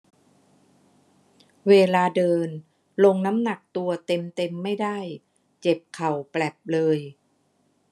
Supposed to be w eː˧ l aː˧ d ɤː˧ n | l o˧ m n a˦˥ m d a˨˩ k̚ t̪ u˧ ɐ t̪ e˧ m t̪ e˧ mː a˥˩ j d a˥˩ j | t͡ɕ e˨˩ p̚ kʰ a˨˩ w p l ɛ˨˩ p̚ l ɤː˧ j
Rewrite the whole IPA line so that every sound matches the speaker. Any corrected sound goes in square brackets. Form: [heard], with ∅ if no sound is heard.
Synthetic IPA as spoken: w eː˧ l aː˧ d ɤː˧ n | l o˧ [ŋ] n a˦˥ m [n] a˨˩ k̚ t̪ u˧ ɐ t̪ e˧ m t̪ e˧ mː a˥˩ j d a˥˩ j | t͡ɕ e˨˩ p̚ kʰ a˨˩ w p l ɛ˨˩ p̚ l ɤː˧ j

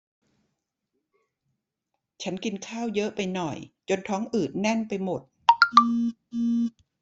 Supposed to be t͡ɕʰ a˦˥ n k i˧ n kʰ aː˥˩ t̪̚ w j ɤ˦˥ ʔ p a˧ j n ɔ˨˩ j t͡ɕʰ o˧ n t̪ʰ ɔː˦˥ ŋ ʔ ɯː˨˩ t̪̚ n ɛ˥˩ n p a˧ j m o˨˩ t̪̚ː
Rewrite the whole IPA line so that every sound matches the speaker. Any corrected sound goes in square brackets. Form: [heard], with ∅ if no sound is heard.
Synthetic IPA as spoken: t͡ɕʰ a˦˥ n k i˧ n kʰ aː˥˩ [∅] w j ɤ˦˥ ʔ p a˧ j n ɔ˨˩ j [t͡ɕ] o˧ n t̪ʰ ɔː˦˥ ŋ ʔ ɯː˨˩ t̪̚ n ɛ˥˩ n p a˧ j m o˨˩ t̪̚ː

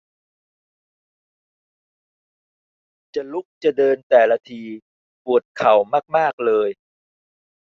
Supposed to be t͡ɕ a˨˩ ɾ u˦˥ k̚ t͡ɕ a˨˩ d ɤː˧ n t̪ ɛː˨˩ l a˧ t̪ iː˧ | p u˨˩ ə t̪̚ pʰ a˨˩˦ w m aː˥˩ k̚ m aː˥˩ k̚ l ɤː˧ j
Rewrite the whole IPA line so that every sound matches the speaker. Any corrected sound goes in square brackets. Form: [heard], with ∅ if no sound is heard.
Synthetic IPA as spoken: t͡ɕ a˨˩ [l] u˦˥ k̚ t͡ɕ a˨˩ d ɤː˧ n t̪ ɛː˨˩ l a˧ [t̪ʰ] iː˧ | p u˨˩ ə t̪̚ [kʰ] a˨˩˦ w m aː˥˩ k̚ m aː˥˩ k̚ l ɤː˧ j

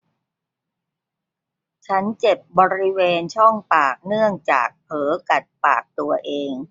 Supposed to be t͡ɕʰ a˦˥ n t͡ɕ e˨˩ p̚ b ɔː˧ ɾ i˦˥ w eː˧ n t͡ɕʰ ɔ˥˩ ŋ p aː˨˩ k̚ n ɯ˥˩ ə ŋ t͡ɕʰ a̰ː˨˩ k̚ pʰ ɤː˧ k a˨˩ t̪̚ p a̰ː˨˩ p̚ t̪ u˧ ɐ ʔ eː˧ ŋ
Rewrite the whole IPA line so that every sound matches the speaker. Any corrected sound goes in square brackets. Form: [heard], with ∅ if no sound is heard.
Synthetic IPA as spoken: t͡ɕʰ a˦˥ n t͡ɕ e˨˩ p̚ b ɔː˧ ɾ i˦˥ w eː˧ n t͡ɕʰ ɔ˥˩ ŋ p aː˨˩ k̚ n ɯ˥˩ ə ŋ [t͡ɕ] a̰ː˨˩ k̚ pʰ [ɤː˩˦] k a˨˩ t̪̚ p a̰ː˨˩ [k̚] t̪ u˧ ɐ ʔ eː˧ ŋ

